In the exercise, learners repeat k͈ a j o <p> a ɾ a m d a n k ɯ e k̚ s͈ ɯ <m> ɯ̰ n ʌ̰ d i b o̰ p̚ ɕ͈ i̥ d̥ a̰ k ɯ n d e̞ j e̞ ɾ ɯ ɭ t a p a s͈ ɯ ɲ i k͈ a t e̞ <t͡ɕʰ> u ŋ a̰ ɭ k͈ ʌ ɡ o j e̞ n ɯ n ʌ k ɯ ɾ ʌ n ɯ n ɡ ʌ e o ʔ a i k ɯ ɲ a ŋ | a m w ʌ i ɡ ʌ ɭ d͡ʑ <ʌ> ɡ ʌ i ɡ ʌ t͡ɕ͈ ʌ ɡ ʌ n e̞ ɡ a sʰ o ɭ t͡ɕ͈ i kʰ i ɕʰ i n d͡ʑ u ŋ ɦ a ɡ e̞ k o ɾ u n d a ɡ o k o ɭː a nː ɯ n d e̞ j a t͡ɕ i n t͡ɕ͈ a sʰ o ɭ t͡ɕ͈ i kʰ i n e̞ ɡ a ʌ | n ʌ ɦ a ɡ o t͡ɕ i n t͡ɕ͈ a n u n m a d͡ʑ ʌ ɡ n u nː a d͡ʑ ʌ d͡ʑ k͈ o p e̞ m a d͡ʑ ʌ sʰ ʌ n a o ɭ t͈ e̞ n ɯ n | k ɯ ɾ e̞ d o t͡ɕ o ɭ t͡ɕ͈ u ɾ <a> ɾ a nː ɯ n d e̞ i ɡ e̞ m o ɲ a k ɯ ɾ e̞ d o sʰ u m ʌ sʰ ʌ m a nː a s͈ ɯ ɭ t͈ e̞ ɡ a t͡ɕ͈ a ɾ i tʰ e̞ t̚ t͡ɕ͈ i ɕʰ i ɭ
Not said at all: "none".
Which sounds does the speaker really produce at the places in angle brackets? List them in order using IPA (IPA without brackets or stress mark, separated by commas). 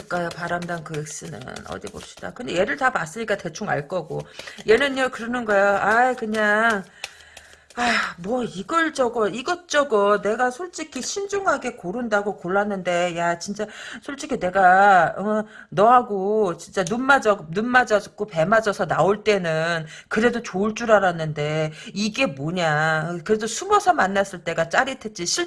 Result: p, n, t͡ɕʰ, ʌ, a